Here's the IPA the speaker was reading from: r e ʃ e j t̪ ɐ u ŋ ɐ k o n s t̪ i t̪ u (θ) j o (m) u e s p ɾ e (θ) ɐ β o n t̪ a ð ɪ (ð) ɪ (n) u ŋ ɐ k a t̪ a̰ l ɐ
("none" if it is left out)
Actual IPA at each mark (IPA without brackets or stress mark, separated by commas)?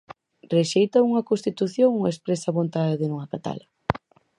θ, ŋ, s, ð, n